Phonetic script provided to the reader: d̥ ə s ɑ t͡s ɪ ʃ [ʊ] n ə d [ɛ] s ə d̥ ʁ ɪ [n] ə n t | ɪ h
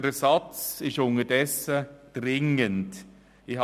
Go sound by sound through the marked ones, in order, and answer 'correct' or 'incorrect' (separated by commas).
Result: correct, correct, incorrect